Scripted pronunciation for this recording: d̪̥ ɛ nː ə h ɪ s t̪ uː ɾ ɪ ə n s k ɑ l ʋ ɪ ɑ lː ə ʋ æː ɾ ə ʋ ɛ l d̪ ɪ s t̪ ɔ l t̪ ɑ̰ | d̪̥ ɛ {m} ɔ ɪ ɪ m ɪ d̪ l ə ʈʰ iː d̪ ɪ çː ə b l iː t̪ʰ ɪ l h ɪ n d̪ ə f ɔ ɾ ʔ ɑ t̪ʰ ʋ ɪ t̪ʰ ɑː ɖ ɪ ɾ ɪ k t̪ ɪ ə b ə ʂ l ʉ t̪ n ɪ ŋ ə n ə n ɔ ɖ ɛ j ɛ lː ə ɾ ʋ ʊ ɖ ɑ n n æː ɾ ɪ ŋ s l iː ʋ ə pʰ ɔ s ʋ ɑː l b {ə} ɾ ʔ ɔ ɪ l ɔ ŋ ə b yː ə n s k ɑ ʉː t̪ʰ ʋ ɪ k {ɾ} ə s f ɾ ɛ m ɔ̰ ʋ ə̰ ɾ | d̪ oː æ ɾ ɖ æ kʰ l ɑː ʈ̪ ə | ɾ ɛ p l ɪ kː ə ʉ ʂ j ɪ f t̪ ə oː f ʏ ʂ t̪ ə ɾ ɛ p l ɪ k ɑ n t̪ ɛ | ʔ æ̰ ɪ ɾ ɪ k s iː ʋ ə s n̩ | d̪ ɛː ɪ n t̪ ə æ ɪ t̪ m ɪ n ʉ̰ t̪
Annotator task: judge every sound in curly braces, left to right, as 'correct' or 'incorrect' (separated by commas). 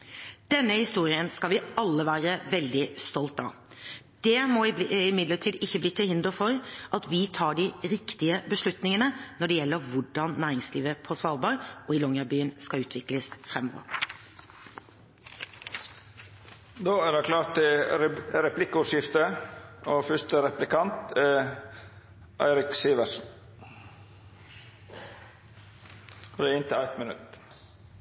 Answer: correct, incorrect, incorrect